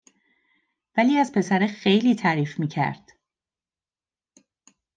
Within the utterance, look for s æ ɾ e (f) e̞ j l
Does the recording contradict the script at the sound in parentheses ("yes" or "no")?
yes